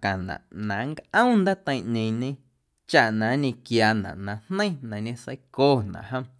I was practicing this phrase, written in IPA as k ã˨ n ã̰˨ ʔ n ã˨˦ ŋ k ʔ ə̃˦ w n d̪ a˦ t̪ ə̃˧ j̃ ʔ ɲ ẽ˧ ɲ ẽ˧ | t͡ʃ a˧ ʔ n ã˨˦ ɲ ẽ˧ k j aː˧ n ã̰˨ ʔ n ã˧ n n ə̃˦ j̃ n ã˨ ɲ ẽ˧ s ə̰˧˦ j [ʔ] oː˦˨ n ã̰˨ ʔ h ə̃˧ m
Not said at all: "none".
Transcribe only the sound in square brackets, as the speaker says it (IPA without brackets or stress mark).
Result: k